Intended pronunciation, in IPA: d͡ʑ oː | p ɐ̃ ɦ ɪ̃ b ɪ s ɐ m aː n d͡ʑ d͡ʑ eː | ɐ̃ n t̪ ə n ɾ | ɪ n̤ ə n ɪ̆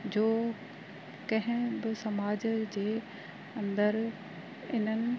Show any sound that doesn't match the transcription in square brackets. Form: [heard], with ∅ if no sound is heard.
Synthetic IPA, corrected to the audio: d͡ʑ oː | [k] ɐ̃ ɦ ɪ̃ b ɪ s ɐ m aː [∅] d͡ʑ d͡ʑ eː | ɐ̃ n [d̪] ə [∅] ɾ | ɪ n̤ ə n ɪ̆